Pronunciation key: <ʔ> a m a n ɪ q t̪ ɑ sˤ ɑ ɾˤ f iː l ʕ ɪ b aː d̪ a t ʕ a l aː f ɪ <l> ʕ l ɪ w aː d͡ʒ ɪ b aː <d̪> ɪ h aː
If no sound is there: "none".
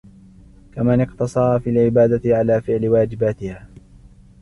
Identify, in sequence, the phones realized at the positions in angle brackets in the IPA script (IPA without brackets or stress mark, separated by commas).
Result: k, none, t̪